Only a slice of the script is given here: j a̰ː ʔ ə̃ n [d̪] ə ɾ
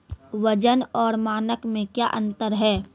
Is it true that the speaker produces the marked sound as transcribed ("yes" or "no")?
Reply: no